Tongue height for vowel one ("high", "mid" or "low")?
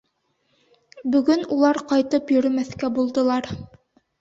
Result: mid